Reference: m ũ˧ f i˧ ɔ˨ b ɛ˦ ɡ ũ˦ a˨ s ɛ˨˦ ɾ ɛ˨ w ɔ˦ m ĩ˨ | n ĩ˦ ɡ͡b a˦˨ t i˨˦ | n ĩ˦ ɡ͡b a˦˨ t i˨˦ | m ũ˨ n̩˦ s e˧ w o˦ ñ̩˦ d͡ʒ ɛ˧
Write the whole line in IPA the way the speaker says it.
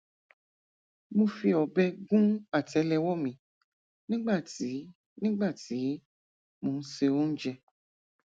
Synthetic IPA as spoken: m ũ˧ f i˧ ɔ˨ b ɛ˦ ɡ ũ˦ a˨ t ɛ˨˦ l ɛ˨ w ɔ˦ m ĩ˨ | n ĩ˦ ɡ͡b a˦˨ t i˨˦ | n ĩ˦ ɡ͡b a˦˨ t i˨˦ | m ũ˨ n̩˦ s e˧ w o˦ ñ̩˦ d͡ʒ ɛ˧